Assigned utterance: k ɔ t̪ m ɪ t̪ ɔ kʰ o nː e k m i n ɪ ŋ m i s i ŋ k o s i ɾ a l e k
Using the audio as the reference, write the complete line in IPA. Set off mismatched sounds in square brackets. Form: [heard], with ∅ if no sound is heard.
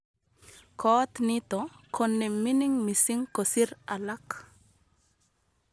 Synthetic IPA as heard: k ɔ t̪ [n] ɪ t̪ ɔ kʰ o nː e [∅] m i n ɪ ŋ m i s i ŋ k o s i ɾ a l [a] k